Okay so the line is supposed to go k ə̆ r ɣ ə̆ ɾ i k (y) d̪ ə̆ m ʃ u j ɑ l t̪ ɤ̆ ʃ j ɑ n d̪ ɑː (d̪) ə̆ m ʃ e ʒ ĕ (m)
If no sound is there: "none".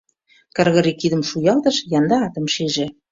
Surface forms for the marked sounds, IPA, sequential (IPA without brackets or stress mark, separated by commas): i, t̪, none